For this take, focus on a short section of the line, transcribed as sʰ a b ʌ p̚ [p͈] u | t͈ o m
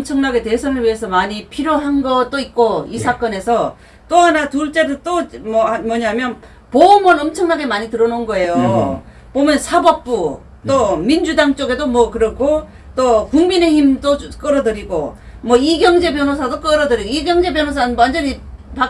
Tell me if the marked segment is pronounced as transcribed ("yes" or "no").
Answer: yes